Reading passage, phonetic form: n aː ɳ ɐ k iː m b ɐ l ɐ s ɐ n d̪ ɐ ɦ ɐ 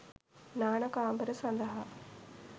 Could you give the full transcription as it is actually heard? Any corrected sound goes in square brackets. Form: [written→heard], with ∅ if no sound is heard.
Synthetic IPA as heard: n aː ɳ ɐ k [iː→aː] m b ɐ [l→ɾ] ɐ s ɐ n d̪ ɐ ɦ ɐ